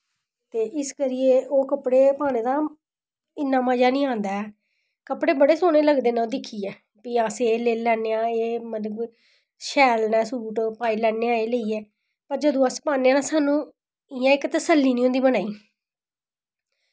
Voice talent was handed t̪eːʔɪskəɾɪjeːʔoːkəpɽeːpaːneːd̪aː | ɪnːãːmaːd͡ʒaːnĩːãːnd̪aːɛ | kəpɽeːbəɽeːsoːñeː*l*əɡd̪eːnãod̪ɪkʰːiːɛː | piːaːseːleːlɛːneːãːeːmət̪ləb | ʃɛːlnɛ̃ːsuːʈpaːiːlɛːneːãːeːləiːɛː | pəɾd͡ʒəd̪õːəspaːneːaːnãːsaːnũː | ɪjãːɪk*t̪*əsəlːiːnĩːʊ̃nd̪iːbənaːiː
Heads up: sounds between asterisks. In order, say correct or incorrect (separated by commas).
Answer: correct, correct